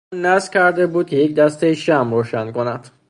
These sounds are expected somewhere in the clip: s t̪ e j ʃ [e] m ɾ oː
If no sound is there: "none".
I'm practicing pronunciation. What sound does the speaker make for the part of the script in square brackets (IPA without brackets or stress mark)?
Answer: æ